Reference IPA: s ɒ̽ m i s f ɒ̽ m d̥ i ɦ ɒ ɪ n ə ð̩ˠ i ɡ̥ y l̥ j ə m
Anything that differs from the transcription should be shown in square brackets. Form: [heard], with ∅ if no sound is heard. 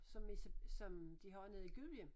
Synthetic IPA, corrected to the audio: s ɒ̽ m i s [s] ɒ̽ m d̥ i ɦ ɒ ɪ n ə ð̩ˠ i ɡ̥ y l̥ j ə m